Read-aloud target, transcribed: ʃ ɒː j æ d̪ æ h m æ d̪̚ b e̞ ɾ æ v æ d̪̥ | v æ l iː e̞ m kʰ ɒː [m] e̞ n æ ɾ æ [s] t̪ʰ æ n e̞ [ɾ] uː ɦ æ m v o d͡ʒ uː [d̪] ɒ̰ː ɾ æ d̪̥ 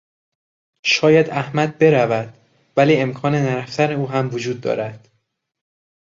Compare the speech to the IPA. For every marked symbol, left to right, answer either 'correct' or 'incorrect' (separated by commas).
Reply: incorrect, incorrect, incorrect, incorrect